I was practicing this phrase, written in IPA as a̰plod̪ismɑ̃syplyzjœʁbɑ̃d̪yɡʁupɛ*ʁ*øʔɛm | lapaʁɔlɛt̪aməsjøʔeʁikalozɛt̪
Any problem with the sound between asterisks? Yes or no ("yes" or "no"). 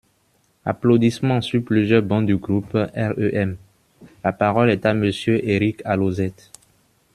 no